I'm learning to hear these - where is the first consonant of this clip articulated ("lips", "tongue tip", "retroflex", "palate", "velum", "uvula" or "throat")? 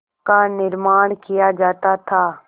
velum